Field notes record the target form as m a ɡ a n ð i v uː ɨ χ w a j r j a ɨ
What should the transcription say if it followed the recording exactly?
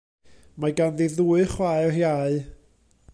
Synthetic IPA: m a ɡ a n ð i ð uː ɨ χ w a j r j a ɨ